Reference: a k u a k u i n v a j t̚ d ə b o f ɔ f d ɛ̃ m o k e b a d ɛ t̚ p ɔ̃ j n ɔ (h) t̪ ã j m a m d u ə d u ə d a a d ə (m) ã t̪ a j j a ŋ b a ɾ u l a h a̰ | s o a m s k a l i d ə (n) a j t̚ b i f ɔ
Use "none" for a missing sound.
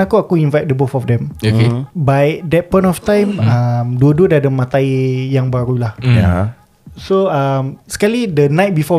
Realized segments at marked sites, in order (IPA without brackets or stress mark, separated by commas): f, m, n